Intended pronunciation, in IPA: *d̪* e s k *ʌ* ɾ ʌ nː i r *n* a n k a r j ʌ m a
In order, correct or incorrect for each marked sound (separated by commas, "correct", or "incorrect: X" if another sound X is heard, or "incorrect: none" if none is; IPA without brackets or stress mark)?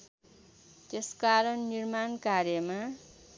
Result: incorrect: t̪, incorrect: a, incorrect: m